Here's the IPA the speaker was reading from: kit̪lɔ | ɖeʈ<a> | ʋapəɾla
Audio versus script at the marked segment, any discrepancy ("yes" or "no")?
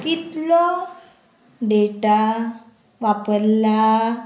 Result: no